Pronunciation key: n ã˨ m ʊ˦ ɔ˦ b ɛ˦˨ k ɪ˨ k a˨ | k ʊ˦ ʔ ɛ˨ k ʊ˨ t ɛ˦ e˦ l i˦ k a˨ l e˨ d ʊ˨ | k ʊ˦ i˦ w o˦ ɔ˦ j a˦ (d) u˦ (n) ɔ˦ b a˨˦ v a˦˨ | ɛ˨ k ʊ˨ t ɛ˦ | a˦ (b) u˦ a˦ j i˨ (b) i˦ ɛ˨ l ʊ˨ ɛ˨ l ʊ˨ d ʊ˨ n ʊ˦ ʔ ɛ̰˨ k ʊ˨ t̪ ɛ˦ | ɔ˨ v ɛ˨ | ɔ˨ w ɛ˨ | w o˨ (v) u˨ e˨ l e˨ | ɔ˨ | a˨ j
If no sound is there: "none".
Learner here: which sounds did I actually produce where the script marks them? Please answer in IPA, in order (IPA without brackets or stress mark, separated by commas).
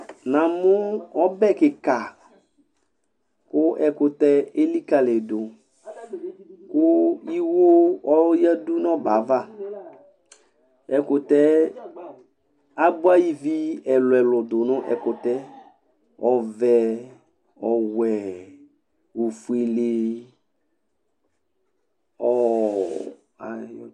d, n, b, v, f